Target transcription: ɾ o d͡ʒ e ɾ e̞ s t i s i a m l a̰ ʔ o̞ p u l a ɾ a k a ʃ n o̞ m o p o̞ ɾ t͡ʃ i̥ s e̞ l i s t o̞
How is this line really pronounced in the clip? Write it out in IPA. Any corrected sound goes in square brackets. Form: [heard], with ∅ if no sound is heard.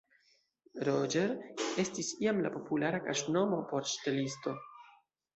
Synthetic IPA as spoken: ɾ o d͡ʒ e ɾ e̞ s t i s i a m l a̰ [p] o̞ p u l a ɾ a k a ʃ n o̞ m o p o̞ ɾ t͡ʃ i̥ [t] e̞ l i s t o̞